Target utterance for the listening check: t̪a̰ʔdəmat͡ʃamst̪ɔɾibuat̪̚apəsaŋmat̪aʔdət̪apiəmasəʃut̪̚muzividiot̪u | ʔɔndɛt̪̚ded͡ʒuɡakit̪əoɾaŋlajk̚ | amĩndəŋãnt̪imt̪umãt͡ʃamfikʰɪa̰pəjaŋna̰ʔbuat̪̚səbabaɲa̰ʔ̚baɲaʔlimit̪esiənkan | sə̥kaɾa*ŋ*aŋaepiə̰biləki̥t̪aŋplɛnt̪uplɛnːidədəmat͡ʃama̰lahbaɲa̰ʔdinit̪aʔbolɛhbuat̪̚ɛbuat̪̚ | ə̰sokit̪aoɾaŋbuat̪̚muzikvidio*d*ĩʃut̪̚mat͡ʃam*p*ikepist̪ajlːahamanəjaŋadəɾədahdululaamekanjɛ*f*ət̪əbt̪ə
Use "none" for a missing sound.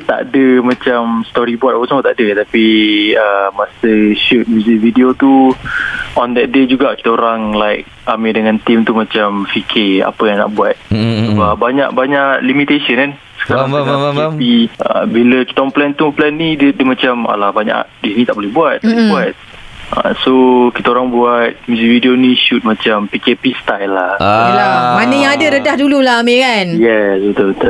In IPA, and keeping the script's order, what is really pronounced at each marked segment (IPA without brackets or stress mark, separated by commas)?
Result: ŋ, n, p, s